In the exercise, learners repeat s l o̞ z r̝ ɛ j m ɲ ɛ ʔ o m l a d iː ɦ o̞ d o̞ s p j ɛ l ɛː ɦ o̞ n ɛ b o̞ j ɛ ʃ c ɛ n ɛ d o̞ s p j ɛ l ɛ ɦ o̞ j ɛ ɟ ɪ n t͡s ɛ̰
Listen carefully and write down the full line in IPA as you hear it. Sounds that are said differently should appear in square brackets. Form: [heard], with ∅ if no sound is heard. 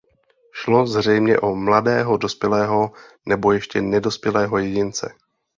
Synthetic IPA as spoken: [ʃ] l o̞ z r̝ ɛ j m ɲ ɛ ʔ o m l a d [ɛː] ɦ o̞ d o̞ s p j ɛ l ɛː ɦ o̞ n ɛ b o̞ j ɛ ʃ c ɛ n ɛ d o̞ s p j ɛ l [ɛː] ɦ o̞ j ɛ ɟ ɪ n t͡s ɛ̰